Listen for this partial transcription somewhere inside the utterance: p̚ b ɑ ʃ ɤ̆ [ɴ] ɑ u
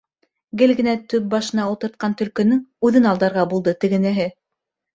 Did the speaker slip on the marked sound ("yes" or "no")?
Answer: yes